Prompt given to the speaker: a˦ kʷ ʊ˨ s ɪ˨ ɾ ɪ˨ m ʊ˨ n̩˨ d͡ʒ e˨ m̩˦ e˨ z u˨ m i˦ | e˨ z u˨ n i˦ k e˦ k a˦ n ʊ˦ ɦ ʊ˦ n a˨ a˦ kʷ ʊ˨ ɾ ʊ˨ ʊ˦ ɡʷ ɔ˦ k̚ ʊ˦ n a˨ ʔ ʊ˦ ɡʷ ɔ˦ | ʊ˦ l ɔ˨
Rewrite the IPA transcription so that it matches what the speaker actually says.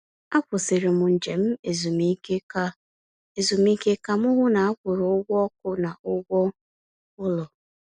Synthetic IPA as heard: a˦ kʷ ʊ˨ s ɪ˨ ɾ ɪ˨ m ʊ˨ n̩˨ d͡ʒ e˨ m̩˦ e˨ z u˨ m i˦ | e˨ z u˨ m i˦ k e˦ k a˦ m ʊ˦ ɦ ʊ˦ n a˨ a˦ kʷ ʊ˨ ɾ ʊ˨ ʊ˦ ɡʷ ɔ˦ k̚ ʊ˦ n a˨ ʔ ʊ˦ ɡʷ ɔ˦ | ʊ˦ l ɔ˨

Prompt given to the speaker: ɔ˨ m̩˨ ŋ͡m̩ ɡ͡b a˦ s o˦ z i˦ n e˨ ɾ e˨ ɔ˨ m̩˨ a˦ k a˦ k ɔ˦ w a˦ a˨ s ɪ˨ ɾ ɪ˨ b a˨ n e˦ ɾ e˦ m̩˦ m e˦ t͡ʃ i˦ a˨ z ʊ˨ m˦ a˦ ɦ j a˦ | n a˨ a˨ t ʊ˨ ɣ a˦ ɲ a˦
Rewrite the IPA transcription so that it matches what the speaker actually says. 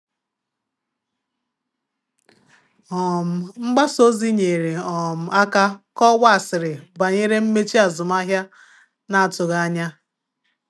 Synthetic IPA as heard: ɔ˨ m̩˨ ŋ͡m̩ ɡ͡b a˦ s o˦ z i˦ ɲ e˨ ɾ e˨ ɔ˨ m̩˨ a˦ k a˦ k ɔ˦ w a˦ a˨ s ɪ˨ ɾ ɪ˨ b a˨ ɲ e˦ ɾ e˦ m̩˦ m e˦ t͡ʃ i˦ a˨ z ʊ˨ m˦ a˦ ɦ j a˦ | n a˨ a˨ t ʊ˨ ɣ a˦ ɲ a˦

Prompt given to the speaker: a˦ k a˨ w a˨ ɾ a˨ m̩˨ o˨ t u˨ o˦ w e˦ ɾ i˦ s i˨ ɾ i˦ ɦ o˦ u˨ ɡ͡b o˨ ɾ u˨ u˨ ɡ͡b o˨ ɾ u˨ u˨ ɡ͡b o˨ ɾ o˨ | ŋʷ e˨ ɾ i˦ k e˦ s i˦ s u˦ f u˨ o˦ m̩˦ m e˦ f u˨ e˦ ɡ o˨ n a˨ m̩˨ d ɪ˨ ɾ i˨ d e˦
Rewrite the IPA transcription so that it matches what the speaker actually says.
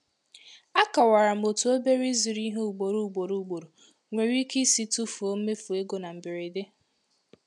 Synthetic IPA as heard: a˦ k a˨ w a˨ ɾ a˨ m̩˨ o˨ t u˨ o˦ b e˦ ɾ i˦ z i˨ ɾ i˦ ɦ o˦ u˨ ɡ͡b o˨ ɾ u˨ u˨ ɡ͡b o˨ ɾ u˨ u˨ ɡ͡b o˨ ɾ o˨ | ŋʷ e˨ ɾ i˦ k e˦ s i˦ t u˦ f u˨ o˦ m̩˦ m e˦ f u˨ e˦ ɡ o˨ n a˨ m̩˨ b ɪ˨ ɾ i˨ d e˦

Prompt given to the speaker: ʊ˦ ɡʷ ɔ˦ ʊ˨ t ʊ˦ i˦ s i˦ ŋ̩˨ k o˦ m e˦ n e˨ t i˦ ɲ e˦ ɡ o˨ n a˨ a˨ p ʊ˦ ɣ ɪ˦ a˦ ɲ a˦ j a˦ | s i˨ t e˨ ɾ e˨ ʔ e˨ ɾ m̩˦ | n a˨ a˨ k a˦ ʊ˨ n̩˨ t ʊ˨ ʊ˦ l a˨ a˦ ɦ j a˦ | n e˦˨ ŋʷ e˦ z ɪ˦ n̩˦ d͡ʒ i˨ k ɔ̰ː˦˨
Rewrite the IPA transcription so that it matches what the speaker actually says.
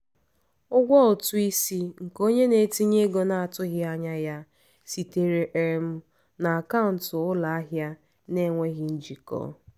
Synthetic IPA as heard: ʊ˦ ɡʷ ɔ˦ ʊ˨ t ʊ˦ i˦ s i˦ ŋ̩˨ k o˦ ɲ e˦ n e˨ t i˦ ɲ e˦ ɡ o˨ n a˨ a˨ t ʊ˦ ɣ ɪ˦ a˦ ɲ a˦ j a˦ | s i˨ t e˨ ɾ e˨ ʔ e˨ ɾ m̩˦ | n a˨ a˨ k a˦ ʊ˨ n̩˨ t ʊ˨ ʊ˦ l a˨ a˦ ɦ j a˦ | n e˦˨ ŋʷ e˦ ɣ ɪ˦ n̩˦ d͡ʒ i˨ k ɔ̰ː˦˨

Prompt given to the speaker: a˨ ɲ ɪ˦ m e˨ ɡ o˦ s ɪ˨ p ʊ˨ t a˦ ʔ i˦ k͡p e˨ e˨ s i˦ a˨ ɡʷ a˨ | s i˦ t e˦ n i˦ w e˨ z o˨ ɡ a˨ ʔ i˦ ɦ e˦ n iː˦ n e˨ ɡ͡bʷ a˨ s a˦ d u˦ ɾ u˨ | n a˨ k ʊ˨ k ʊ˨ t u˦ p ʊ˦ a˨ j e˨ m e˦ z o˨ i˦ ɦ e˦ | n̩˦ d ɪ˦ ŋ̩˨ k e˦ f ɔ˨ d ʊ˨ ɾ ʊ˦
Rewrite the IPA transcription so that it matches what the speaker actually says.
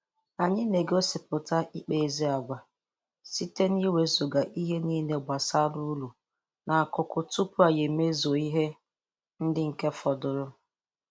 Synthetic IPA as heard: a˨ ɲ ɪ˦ n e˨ ɡ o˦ s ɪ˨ p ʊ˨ t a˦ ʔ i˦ k͡p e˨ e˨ z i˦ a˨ ɡʷ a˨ | s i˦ t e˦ n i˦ w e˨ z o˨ ɡ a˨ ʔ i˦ ɦ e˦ n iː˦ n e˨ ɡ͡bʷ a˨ s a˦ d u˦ l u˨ | n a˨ k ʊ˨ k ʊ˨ t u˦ p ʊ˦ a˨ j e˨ m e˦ z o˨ i˦ ɦ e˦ | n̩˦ d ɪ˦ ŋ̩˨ k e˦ f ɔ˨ d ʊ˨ ɾ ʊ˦

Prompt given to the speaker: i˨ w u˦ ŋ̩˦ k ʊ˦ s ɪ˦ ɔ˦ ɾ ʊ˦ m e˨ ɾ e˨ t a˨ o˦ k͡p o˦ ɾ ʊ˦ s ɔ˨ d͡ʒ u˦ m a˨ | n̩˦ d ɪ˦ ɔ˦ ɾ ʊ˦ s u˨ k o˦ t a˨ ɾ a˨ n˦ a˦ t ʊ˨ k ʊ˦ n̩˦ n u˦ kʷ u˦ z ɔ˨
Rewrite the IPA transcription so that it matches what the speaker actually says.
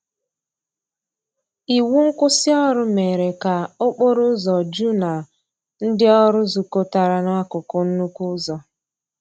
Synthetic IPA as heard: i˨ w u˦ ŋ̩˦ k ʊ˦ s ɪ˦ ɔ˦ ɾ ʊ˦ m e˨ ɾ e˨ k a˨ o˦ k͡p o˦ ɾ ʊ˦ z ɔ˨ d͡ʒ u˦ n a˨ | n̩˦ d ɪ˦ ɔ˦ ɾ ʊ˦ z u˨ k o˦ t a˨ ɾ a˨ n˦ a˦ k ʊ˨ k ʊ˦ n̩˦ n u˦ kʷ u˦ z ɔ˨

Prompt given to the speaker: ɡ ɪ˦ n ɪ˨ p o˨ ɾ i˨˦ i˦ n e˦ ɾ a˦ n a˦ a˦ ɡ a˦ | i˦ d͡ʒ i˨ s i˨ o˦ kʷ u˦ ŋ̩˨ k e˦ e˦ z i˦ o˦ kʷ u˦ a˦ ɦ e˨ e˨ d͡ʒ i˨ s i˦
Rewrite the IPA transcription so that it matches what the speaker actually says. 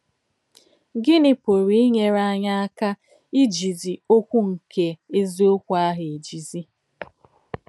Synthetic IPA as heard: ɡ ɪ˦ n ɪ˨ p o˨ ɾ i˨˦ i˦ ɲ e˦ ɾ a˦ ɲ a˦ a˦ k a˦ | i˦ d͡ʒ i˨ z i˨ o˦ kʷ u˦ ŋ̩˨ k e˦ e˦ z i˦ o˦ kʷ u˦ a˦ ɦ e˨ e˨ d͡ʒ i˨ z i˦

